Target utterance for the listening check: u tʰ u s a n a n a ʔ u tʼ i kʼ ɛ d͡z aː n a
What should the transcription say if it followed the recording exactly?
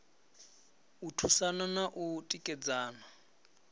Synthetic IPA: u tʰ u s a n a n a ʔ u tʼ i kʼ ɛ d͡z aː n a